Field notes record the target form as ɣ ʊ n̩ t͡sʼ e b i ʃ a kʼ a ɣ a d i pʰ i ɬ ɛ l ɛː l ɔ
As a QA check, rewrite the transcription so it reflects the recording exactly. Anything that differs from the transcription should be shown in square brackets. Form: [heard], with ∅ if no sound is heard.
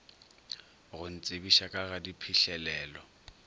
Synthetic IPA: ɣ ʊ n̩ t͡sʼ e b i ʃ a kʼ a ɣ a d i pʰ i ɬ ɛ l ɛː l ɔ